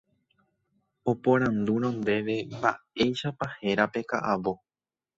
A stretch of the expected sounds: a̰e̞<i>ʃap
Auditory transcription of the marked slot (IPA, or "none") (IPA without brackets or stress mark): j